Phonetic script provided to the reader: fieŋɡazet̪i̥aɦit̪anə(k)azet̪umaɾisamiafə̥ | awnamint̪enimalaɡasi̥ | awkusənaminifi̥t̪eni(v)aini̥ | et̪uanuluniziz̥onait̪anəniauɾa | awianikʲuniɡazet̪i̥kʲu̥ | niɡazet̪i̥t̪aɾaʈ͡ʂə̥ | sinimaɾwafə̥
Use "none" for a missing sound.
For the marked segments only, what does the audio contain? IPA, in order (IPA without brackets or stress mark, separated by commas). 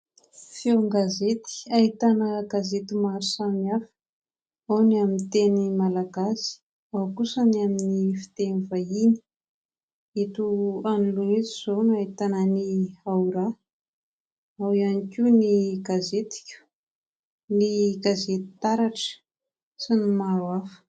ɡ, v